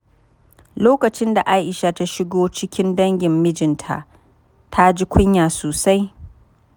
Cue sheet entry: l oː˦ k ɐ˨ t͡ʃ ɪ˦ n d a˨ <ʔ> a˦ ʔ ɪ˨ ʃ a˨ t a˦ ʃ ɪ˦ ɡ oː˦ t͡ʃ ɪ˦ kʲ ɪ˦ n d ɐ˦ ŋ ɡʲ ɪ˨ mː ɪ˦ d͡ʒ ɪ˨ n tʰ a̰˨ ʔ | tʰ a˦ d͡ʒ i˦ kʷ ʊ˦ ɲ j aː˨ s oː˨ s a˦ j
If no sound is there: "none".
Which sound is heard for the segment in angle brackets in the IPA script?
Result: ʔ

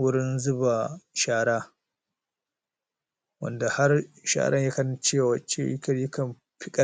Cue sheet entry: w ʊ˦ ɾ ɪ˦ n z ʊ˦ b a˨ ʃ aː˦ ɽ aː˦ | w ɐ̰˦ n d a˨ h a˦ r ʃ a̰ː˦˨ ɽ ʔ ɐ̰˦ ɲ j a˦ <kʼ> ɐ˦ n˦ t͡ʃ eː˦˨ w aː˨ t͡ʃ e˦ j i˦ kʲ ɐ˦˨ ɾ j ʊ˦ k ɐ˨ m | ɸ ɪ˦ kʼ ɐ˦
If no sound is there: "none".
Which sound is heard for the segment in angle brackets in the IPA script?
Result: k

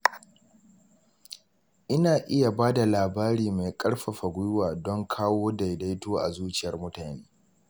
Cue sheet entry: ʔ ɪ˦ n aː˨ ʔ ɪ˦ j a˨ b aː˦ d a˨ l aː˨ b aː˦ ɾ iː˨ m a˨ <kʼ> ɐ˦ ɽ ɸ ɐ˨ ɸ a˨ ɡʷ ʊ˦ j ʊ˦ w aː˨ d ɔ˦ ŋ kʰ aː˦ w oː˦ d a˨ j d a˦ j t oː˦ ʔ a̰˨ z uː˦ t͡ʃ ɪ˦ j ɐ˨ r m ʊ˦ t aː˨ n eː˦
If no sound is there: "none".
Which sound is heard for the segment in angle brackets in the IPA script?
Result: kʼ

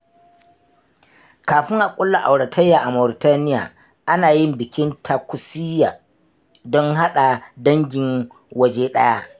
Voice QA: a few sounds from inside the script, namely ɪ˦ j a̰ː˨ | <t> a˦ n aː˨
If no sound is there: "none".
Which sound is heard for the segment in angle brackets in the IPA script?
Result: ʔ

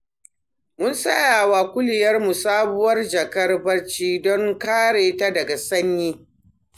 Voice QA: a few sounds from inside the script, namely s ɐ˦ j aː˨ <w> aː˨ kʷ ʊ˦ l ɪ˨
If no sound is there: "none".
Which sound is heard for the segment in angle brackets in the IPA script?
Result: w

